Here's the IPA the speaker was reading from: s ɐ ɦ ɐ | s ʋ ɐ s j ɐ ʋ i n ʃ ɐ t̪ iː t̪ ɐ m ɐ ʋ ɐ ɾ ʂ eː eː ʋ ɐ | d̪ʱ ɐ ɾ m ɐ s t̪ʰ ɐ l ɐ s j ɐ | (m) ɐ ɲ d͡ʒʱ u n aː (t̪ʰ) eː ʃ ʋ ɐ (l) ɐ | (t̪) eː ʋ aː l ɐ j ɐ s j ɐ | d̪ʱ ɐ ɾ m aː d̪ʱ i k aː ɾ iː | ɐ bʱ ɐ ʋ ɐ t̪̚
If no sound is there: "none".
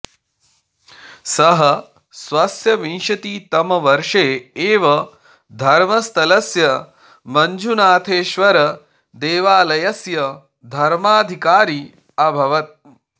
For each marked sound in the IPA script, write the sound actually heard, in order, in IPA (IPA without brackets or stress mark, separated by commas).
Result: m, t̪ʰ, ɾ, d̪